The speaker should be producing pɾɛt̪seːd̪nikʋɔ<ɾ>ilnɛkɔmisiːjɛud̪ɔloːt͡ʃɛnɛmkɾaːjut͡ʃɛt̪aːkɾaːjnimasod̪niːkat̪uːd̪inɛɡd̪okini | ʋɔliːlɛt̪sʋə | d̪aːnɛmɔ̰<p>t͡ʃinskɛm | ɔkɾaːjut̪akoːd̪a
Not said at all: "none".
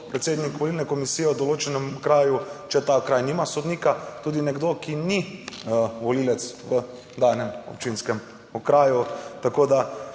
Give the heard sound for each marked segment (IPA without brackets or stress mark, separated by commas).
l, p